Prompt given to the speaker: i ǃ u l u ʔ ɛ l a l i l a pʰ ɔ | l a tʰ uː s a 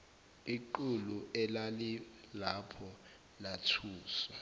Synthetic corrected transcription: i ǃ u l u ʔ ɛ l a l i l a pʰ ɔ | l a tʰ uː s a